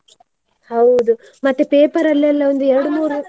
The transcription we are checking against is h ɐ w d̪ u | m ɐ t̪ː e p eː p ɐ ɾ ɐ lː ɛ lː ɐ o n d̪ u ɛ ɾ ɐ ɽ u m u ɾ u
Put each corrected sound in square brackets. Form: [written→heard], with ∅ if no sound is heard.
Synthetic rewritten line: h ɐ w d̪ u | m ɐ t̪ː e p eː p ɐ ɾ ɐ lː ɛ lː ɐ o n d̪ u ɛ ɾ ɐ ɽ u m [u→uː] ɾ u